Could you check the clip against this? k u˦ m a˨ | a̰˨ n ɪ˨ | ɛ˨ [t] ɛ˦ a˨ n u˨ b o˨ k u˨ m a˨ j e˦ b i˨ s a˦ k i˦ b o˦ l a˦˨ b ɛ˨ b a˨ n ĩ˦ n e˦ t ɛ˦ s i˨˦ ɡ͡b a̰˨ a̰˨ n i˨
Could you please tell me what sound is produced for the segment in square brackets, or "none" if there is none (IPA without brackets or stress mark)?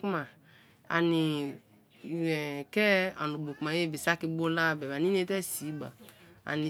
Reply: k